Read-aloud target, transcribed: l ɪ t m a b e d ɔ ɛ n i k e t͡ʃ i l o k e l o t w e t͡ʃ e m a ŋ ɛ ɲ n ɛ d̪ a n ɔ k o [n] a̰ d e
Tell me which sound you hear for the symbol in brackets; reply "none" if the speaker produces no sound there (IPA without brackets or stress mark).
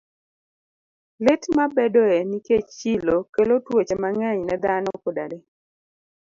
d